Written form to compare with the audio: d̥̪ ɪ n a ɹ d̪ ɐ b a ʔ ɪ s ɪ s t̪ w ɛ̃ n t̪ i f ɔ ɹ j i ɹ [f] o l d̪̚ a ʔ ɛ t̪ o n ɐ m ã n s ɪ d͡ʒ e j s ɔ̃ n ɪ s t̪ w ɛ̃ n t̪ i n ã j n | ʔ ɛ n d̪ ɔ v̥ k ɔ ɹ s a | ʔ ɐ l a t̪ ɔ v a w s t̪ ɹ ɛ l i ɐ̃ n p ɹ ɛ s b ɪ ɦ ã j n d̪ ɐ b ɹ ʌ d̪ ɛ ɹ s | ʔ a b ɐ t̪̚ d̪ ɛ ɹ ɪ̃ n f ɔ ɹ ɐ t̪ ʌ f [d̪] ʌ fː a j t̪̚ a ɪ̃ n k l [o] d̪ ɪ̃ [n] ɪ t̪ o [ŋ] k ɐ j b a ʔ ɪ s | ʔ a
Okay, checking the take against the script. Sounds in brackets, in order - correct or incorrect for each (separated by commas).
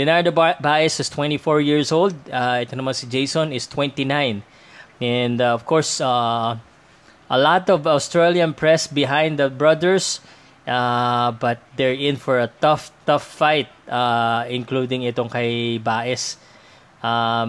incorrect, incorrect, incorrect, incorrect, correct